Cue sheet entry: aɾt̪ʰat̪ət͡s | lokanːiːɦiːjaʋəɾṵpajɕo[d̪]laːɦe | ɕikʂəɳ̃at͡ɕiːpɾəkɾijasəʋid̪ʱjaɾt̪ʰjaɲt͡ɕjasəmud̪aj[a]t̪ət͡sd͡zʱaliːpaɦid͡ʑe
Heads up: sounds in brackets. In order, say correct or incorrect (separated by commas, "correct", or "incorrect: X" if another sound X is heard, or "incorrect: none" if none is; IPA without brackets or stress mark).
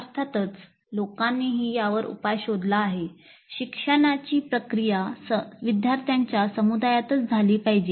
correct, correct